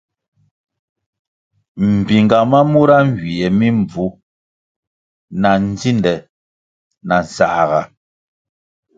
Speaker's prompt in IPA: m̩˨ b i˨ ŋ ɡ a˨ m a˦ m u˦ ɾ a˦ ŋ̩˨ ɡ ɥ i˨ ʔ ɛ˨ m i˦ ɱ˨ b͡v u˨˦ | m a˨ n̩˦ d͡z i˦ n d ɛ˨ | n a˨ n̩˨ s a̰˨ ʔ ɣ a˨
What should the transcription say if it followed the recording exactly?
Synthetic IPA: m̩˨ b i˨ ŋ ɡ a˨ m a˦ m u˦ ɾ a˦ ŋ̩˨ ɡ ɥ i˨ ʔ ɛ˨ m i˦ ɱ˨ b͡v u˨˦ | n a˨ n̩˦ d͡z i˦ n d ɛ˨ | n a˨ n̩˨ s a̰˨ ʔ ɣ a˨